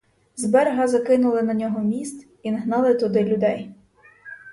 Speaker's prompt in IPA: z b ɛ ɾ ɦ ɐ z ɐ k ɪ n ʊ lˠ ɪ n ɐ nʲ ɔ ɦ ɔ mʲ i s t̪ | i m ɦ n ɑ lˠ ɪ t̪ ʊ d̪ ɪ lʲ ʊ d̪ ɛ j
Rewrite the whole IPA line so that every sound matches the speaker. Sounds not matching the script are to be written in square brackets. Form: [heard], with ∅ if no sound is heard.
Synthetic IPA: z b ɛ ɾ ɦ ɐ z ɐ k ɪ n ʊ lˠ ɪ n ɐ nʲ ɔ ɦ ɔ mʲ i s t̪ | i [n] ɦ n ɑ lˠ ɪ t̪ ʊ d̪ ɪ lʲ ʊ d̪ ɛ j